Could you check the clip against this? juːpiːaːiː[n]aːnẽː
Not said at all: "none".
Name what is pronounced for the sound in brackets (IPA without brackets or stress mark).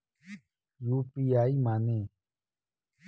m